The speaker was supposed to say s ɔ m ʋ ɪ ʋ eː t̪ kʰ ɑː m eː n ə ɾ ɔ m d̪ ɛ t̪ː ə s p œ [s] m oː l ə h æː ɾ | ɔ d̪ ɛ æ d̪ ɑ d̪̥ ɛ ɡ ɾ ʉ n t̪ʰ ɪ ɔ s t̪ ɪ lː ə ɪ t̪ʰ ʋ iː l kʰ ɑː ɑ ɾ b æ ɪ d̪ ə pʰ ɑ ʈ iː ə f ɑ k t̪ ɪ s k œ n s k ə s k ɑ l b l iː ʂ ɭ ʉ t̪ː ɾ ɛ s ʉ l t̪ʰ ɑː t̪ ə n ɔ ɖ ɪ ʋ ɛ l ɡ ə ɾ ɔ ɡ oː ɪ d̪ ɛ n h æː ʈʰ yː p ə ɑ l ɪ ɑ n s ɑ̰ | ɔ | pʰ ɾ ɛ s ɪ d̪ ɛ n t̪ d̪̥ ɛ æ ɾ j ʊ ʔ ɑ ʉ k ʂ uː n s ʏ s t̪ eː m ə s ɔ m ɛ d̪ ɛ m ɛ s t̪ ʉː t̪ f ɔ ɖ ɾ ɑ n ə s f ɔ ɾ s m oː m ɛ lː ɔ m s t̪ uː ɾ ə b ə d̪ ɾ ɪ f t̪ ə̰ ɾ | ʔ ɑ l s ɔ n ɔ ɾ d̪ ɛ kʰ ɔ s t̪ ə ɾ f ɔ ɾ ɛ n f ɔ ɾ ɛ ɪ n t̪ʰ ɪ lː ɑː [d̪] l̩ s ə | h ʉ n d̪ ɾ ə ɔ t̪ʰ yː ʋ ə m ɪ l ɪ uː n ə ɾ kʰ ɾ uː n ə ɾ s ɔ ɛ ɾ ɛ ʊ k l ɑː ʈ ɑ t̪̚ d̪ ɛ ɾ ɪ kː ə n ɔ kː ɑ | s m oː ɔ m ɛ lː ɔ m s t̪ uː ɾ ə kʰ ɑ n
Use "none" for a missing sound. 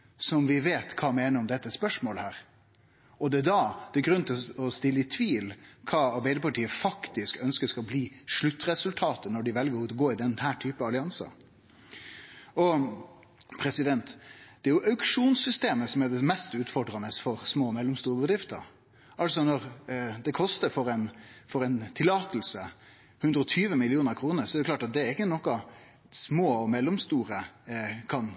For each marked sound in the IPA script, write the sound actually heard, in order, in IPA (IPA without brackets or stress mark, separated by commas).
ʂ, t̪